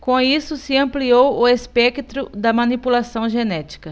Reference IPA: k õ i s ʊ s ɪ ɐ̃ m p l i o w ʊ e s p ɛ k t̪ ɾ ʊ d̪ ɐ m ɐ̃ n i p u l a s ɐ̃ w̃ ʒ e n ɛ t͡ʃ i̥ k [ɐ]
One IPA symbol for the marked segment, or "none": ɐ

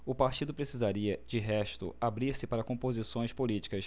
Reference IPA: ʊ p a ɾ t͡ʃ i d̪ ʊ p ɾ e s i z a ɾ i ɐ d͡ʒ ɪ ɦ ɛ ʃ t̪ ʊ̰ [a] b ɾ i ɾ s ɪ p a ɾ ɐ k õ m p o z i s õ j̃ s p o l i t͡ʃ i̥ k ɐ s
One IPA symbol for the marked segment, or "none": a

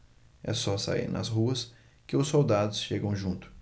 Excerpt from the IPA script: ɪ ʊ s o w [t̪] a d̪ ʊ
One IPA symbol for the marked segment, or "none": d̪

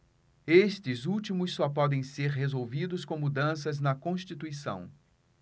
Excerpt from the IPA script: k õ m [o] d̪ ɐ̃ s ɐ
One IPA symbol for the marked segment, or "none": u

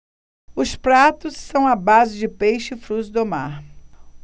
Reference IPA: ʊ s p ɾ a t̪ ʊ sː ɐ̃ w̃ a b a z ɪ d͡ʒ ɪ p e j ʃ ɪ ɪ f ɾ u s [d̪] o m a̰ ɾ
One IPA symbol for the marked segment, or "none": d̪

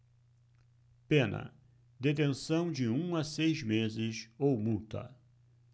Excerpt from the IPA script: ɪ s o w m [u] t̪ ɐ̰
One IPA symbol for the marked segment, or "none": u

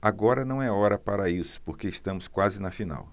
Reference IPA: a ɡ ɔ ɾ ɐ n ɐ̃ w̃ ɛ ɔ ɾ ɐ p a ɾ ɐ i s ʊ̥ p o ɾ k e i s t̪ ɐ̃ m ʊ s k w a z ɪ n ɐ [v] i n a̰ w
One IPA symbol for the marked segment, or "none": f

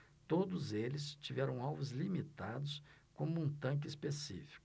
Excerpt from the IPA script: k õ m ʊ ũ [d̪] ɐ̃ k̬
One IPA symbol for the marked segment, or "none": t̪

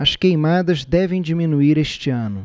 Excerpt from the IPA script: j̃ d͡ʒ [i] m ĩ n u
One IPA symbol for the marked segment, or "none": i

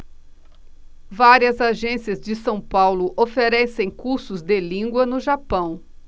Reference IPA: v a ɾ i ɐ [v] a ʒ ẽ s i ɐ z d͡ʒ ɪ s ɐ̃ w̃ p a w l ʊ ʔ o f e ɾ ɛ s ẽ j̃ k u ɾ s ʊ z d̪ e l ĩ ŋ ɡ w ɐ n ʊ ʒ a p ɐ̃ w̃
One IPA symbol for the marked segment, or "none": z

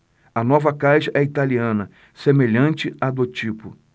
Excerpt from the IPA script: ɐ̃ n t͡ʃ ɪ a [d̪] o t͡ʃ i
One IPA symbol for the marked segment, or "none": d̪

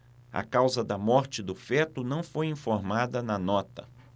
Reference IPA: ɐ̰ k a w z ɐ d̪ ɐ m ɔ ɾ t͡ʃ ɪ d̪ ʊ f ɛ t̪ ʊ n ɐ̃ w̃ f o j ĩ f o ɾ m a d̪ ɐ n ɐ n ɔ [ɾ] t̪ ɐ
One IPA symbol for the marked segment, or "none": none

